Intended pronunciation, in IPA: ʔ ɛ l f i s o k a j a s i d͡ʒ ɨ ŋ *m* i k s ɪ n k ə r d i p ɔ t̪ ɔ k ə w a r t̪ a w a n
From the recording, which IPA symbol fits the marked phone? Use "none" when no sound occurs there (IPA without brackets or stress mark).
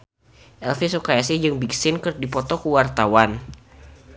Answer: b